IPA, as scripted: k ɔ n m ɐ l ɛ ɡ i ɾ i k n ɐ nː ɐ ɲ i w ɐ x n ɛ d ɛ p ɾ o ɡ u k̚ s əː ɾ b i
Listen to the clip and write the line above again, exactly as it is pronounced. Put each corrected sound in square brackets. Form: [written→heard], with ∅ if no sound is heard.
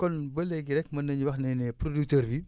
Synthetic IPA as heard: k ɔ n [m→b] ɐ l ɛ ɡ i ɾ [i→ɛ] k [n→m] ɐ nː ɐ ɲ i w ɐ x n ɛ [d→n] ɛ p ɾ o [ɡ→d] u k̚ [s→t] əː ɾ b i